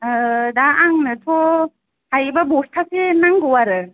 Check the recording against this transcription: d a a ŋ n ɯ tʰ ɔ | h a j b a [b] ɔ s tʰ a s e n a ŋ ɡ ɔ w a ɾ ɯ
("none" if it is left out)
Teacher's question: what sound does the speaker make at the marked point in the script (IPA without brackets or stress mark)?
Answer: b